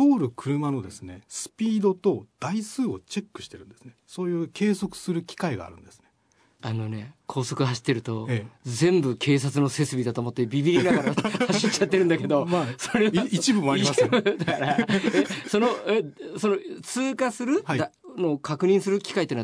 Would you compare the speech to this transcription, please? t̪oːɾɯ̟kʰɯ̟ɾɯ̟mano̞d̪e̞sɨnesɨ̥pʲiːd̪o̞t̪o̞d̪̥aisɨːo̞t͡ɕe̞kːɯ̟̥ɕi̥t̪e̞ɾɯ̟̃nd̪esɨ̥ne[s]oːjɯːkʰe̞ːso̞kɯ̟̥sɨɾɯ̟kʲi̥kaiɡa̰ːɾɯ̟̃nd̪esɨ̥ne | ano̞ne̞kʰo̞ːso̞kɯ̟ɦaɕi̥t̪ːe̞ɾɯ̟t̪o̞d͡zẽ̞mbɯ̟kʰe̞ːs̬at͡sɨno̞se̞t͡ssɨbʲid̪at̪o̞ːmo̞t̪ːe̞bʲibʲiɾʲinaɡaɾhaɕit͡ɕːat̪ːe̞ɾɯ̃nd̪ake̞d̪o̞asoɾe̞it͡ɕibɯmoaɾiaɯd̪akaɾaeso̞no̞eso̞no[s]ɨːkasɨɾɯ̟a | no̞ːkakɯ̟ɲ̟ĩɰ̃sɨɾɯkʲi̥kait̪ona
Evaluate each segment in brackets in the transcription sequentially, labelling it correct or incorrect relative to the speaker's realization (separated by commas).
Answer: correct, incorrect